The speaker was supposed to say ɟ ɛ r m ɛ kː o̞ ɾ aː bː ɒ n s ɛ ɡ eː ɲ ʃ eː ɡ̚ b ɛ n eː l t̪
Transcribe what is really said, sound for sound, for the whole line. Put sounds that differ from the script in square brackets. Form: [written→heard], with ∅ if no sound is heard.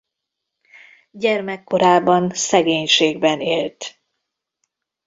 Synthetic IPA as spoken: ɟ ɛ r m ɛ kː o̞ ɾ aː [bː→b] ɒ n s ɛ ɡ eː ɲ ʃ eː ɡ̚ b ɛ n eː l t̪